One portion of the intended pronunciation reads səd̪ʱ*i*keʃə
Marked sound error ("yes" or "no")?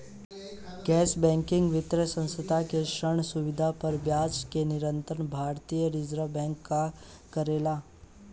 yes